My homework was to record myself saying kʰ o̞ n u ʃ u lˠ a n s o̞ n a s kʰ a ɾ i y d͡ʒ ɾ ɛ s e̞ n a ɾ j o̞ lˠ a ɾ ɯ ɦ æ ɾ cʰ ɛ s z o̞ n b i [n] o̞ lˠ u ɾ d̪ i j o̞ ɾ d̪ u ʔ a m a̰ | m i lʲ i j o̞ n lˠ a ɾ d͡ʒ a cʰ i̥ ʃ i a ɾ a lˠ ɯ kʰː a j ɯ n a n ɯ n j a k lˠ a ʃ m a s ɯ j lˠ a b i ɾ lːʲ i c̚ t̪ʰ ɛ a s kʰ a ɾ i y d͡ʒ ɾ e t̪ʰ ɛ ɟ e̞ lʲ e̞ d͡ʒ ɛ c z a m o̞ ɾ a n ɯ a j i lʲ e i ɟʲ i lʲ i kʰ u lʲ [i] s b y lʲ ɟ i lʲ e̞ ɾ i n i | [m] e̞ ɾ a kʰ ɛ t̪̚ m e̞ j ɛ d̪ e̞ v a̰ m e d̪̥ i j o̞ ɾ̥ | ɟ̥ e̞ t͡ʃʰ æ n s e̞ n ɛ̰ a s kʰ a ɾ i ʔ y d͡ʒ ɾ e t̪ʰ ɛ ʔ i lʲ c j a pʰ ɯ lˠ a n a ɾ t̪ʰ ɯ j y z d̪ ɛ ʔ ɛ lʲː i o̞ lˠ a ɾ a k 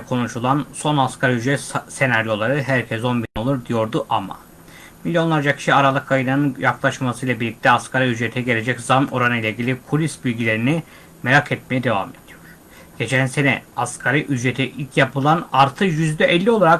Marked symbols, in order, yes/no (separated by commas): yes, yes, yes